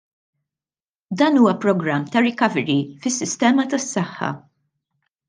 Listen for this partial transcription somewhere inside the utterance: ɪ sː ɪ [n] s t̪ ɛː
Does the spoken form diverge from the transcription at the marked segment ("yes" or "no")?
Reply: yes